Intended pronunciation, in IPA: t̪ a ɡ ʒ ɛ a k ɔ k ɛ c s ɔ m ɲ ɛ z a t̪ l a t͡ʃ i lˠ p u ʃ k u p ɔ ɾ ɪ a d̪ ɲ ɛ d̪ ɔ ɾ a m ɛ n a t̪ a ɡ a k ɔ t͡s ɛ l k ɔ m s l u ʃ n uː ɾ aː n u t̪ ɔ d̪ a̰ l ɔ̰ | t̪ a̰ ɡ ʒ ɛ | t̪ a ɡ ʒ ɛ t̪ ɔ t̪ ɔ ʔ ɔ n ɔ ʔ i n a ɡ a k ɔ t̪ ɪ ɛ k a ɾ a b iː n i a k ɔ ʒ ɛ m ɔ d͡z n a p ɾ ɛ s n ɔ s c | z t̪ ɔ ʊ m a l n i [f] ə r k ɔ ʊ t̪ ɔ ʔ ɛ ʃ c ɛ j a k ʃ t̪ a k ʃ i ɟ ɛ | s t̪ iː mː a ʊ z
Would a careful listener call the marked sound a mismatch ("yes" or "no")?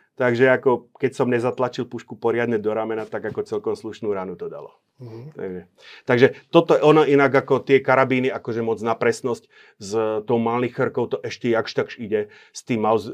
yes